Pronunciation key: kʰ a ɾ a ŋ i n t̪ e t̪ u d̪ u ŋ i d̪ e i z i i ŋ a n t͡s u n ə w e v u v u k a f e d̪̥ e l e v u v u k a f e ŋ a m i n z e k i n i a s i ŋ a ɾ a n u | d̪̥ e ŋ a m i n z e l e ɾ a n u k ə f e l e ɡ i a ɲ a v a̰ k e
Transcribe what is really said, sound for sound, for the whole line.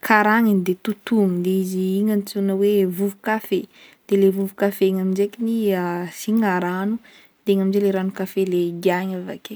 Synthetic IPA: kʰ a ɾ a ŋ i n d̪ e t̪ u t̪ u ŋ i d̪ e i z i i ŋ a n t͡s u n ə w e v u v u k a f e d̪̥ e l e v u v u k a f e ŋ a m i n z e k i n i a s i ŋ a ɾ a n u | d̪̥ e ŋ a m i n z e l e ɾ a n u k a f e l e ɡ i a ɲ a v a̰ k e